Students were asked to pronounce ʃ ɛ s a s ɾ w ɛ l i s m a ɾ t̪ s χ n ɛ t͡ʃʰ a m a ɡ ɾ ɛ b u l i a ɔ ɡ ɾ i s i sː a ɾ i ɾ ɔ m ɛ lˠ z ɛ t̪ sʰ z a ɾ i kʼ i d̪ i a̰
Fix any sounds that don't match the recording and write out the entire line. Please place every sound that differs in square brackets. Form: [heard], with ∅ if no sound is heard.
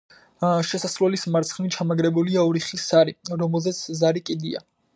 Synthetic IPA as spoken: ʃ ɛ s a s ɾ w ɛ l i s m a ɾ t̪ s χ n [i] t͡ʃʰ a m a ɡ ɾ ɛ b u l i a ɔ [∅] ɾ i [χ] i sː a ɾ i ɾ ɔ m ɛ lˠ z ɛ t̪ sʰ z a ɾ i kʼ i d̪ i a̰